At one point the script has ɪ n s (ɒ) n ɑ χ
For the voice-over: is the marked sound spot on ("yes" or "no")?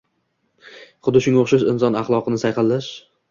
yes